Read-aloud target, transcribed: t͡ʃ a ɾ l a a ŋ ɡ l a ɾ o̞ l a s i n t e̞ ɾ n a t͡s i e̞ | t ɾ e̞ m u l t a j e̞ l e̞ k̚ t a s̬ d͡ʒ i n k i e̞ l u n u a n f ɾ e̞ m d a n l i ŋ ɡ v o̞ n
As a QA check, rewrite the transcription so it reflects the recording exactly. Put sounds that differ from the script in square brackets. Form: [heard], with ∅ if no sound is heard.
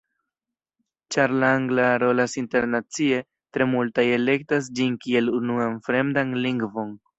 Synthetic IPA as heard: t͡ʃ a ɾ l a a ŋ ɡ l a ɾ o̞ l a s i n t e̞ ɾ n a t͡s i e̞ | t ɾ e̞ m u l t a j e̞ l e̞ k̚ t a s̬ d͡ʒ i n k i e̞ l u n u a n f ɾ e̞ m d a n l i ŋ ɡ v o̞ n